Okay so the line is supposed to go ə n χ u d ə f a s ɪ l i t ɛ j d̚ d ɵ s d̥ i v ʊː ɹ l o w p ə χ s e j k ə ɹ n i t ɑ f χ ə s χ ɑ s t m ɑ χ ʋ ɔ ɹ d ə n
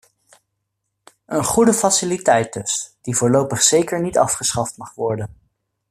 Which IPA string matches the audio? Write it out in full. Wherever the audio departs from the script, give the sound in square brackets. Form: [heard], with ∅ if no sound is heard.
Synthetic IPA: ə n χ u d ə f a s ɪ l i t ɛ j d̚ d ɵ s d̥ i v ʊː ɹ l o w p ə χ s e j k ə ɹ n i t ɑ f χ ə s χ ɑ [f] t m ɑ χ ʋ ɔ ɹ d ə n